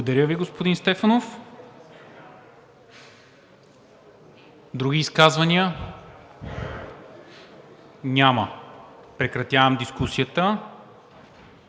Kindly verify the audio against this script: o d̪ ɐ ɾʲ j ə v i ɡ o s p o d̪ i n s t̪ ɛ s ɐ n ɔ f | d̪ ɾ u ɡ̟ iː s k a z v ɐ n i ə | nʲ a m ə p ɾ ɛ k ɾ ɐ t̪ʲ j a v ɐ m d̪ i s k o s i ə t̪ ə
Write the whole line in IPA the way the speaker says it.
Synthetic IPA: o d̪ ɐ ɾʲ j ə v i ɡ o s p o d̪ i n s t̪ ɛ f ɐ n o f | d̪ ɾ u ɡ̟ iː s k a z v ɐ n i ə | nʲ a m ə p ɾ ɛ k ɾ ɐ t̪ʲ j a v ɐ m d̪ i s k u s i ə t̪ ə